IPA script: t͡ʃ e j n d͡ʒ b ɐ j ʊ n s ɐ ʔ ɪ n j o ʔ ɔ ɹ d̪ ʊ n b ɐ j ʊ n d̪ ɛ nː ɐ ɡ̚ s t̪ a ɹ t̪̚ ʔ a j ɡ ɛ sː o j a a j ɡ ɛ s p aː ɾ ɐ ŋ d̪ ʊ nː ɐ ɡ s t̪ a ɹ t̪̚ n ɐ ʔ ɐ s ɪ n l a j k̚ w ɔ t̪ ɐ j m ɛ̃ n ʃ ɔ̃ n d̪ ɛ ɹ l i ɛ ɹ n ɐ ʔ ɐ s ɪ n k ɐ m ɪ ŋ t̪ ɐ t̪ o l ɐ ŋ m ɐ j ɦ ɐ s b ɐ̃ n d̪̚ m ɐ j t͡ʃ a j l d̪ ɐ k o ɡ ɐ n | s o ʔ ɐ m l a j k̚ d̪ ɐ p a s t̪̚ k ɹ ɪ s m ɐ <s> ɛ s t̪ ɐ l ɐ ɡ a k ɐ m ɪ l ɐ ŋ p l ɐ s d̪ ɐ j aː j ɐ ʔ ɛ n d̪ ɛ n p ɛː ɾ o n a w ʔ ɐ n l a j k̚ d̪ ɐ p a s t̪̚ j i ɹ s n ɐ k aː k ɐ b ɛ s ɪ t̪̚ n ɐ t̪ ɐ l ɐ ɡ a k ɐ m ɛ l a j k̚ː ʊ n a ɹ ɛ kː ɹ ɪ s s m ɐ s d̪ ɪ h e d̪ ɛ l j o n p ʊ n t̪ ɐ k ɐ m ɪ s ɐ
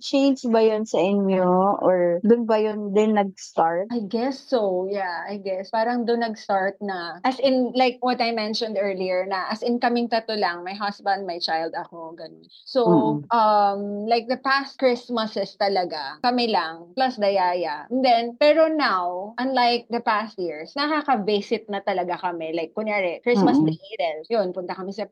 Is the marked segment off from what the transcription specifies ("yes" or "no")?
no